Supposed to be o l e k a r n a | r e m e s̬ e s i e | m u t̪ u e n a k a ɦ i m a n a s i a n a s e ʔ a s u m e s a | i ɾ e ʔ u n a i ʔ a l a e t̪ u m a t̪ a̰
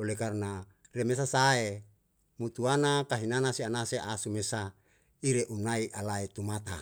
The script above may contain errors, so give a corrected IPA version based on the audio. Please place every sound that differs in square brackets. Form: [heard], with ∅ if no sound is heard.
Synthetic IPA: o l e k a r n a | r e m e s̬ [a] s [a] e | m u t̪ u [a] n a k a ɦ i [n] a n a s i a n a s e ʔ a s u m e s a | i ɾ e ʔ u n a i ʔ a l a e t̪ u m a t̪ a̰